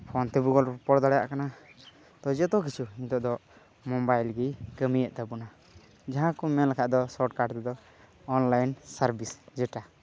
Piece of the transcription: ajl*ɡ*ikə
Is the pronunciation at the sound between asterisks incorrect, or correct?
correct